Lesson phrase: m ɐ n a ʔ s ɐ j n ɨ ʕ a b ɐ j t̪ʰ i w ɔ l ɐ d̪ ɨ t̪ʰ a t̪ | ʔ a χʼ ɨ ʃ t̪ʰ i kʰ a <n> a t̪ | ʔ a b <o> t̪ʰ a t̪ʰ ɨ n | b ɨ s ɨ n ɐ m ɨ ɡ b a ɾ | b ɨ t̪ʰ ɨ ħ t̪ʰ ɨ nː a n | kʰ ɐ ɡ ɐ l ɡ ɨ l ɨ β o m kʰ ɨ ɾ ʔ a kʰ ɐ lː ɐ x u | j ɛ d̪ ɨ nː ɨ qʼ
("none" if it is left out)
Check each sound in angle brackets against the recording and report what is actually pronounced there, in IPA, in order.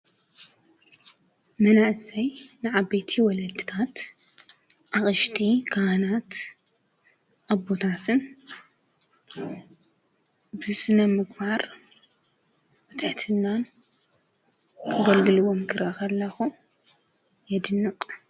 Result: n, o

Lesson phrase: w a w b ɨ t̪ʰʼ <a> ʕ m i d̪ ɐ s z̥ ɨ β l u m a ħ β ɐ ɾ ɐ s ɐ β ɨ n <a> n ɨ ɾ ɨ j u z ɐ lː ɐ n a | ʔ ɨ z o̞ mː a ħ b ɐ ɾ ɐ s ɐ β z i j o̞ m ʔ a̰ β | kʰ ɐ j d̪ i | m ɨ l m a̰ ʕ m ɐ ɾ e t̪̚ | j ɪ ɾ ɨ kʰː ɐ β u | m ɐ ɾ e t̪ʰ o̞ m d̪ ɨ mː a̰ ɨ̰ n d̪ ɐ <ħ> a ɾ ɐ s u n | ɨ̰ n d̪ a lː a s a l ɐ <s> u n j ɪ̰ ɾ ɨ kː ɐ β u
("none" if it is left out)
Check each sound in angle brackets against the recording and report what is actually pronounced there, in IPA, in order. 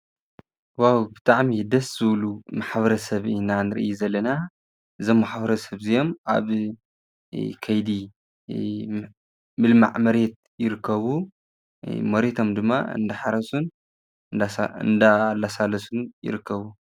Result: a, a, ħ, s

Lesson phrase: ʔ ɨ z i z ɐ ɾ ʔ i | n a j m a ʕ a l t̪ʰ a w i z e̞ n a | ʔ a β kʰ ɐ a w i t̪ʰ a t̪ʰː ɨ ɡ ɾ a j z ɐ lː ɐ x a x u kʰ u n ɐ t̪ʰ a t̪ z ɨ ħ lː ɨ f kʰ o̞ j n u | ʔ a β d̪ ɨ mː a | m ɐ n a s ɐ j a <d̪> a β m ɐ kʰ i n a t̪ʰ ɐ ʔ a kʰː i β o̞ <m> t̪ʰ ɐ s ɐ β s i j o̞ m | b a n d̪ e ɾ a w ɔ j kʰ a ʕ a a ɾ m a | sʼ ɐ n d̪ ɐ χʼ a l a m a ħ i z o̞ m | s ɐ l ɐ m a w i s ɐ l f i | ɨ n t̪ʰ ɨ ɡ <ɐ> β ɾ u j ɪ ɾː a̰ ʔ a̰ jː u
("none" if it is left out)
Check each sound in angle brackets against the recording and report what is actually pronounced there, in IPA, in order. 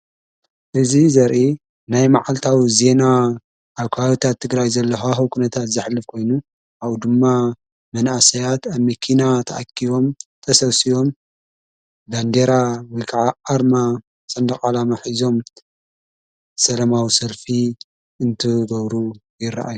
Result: t̪, m, ɐ

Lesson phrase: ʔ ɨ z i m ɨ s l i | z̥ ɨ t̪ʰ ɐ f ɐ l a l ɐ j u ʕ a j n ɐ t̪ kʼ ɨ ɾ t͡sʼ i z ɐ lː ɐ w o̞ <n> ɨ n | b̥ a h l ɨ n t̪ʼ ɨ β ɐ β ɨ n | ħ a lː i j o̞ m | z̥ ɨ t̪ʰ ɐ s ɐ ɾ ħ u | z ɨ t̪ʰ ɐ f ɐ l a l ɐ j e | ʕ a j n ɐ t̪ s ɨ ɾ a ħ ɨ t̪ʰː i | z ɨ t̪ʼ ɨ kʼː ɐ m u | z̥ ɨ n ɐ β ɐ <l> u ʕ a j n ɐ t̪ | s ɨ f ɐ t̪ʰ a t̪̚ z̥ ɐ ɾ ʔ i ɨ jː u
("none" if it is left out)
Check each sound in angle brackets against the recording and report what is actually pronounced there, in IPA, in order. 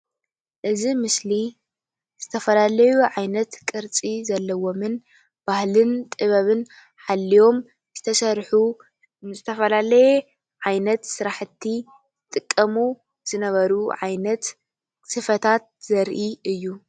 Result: m, ɾ

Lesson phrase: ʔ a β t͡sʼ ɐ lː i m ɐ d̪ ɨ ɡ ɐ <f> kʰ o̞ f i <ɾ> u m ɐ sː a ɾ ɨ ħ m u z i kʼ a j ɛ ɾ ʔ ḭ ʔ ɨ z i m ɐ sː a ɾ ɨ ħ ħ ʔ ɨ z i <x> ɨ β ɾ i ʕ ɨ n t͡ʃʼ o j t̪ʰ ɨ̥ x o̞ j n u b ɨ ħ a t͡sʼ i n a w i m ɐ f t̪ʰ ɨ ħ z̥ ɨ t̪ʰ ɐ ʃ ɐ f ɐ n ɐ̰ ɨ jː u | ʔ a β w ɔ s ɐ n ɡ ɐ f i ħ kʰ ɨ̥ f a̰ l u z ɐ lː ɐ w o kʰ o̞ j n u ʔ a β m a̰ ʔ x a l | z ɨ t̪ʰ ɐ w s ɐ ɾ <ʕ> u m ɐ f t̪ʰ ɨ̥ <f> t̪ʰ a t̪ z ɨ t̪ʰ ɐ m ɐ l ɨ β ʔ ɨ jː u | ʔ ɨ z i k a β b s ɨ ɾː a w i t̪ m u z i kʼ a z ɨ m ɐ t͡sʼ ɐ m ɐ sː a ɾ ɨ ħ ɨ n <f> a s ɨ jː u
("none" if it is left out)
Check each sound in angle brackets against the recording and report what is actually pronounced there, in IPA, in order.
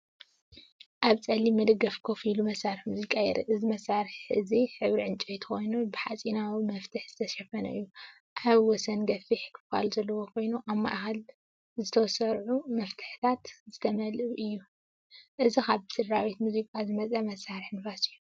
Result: f, l, ħ, ʕ, ħ, f

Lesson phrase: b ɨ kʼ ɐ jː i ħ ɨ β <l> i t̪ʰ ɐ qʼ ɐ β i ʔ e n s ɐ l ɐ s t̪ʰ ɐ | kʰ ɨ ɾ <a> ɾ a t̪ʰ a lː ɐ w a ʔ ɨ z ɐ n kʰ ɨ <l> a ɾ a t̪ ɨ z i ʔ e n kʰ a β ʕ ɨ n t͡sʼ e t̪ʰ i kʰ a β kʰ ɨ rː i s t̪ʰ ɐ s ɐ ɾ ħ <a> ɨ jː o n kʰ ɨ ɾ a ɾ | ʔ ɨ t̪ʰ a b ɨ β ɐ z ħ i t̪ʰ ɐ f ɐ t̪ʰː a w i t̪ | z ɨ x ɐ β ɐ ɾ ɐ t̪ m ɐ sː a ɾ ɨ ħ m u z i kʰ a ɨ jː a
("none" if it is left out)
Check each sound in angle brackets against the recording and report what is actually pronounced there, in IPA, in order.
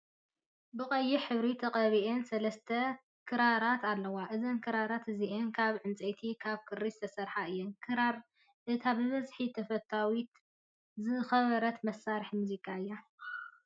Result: ɾ, a, ɾ, a

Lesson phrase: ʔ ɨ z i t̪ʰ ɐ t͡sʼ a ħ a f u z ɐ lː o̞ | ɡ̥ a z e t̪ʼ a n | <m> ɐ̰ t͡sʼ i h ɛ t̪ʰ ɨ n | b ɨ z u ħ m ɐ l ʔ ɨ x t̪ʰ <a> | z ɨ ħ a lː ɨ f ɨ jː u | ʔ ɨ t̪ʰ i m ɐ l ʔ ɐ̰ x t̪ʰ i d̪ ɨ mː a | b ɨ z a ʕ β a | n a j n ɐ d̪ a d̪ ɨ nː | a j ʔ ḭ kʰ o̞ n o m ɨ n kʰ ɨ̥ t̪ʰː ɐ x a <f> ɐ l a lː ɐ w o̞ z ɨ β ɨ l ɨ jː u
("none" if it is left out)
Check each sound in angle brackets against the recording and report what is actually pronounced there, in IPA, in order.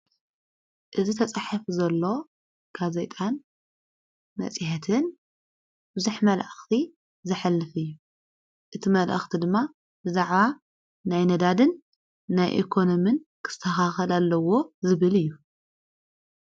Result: m, i, x

